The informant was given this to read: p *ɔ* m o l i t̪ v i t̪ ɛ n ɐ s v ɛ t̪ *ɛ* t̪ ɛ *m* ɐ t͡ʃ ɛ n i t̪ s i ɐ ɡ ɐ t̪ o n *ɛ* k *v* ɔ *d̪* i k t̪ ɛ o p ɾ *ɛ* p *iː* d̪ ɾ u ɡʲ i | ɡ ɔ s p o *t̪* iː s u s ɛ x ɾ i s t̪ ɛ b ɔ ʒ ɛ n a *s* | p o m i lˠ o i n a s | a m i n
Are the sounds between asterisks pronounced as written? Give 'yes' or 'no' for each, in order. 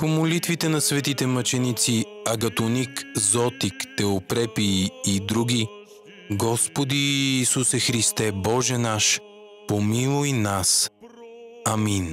no, no, yes, no, no, no, yes, yes, no, no

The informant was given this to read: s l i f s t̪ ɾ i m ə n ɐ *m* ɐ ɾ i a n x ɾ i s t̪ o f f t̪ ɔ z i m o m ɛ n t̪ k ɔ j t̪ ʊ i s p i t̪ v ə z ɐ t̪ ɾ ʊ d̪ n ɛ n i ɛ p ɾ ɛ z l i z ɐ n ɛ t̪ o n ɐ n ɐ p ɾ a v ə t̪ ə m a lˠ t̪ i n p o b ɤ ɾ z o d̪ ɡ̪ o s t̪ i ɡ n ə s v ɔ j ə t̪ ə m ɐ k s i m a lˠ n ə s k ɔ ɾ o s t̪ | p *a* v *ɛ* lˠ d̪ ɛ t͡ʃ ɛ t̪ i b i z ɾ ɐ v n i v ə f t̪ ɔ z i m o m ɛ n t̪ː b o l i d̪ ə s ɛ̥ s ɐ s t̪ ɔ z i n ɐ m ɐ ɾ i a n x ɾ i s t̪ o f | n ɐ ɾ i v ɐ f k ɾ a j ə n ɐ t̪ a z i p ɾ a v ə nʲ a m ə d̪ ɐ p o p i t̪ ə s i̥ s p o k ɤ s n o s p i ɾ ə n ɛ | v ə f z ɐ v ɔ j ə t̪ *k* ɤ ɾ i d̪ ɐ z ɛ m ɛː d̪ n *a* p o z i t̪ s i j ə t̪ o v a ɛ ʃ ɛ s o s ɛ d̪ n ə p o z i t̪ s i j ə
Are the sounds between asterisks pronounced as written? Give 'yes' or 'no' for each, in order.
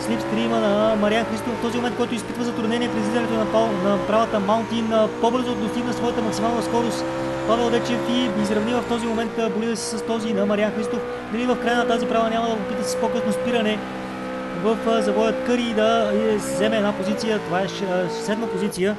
yes, yes, yes, yes, yes

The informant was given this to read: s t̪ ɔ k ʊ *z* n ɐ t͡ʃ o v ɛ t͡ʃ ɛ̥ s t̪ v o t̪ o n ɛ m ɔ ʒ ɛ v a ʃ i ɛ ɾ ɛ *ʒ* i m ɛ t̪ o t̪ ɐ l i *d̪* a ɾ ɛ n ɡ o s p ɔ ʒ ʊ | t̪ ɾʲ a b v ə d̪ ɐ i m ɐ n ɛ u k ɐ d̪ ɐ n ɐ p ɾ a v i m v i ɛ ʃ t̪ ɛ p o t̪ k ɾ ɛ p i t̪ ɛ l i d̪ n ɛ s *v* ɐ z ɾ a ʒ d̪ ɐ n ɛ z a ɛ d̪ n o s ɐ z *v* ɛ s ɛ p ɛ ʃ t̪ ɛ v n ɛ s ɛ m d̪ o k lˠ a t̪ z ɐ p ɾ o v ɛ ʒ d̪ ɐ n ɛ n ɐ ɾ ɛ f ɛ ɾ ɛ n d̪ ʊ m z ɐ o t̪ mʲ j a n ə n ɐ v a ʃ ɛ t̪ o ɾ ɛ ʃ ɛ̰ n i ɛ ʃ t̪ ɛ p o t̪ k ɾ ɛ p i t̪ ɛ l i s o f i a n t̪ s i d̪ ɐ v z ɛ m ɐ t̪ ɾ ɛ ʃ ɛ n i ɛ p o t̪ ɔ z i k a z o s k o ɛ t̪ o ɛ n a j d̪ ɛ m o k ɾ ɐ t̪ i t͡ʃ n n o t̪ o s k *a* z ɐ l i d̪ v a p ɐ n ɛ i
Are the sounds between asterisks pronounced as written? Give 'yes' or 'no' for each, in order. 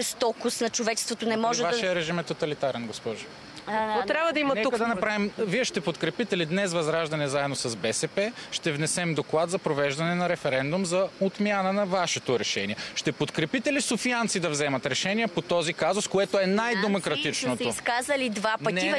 no, yes, no, yes, no, yes

